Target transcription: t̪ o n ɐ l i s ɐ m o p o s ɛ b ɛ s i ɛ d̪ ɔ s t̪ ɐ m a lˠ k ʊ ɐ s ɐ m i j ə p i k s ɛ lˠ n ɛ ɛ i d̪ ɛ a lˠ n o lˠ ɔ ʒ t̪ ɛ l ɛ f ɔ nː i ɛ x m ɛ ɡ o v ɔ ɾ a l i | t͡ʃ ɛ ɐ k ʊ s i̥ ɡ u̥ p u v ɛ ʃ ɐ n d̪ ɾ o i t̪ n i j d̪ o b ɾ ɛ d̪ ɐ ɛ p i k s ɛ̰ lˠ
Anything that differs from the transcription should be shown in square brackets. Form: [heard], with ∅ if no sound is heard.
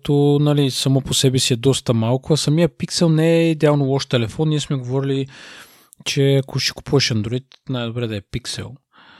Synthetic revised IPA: t̪ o n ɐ l i s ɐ m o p o s ɛ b ɛ s i ɛ d̪ ɔ s t̪ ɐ m a lˠ k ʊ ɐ s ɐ m i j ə p i k s ɛ lˠ n ɛ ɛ i d̪ ɛ a lˠ n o lˠ ɔ [ʃ] t̪ ɛ l ɛ f ɔ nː i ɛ [s] m ɛ ɡ o v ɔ ɾ [i] l i | t͡ʃ ɛ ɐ k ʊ [ʃ] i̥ [k] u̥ p u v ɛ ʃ ɐ n d̪ ɾ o i t̪ n [a] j d̪ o b ɾ ɛ d̪ ɐ ɛ p i k s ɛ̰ lˠ